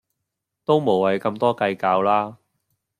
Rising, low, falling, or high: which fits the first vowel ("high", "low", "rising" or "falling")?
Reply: high